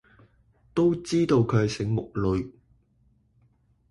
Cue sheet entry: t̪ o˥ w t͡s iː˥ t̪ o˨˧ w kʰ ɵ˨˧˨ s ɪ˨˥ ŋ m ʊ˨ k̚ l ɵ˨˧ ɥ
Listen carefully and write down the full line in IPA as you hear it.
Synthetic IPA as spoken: t̪ o˥ w t͡s iː˥ t̪ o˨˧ w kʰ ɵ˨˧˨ s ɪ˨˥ ŋ m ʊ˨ k̚ l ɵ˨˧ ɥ